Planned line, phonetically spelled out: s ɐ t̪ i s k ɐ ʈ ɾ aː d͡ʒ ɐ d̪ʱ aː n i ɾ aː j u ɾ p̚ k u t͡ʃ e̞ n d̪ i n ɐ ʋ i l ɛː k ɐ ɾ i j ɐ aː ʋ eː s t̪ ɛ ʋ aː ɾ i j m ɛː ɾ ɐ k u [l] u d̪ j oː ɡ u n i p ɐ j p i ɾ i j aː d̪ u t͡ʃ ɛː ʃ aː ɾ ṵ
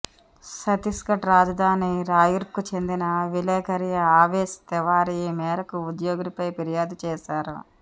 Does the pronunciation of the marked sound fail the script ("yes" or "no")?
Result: yes